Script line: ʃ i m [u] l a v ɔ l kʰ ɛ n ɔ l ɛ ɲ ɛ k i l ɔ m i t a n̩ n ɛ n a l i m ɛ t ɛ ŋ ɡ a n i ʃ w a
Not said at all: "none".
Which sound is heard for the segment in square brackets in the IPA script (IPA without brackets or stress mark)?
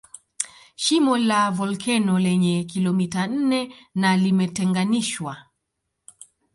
ɔ